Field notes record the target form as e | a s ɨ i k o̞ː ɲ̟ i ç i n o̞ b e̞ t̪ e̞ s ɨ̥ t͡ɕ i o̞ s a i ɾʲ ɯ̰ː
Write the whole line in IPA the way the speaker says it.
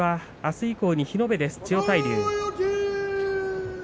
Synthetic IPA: a | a s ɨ i k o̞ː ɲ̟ i ç i n o̞ b e̞ d̪ e̞ s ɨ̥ t͡ɕ i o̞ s a i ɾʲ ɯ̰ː